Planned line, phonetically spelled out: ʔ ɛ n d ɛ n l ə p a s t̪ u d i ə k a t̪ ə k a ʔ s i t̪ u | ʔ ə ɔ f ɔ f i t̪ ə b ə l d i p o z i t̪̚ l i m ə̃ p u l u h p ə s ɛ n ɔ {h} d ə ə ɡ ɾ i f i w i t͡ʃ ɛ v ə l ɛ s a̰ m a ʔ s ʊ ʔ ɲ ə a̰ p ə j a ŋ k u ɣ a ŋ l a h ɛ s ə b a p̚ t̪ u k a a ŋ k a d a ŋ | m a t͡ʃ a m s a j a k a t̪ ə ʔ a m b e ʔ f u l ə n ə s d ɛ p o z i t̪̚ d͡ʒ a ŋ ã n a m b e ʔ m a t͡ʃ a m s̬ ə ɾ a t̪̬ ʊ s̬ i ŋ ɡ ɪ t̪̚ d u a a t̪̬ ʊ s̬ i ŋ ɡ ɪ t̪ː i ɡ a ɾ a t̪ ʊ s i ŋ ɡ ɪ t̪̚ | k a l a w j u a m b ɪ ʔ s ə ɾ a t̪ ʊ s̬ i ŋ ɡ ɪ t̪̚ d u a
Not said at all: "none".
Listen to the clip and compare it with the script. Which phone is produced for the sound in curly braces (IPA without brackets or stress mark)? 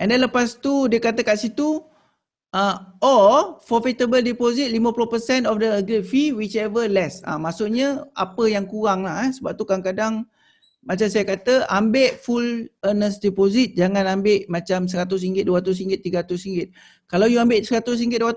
f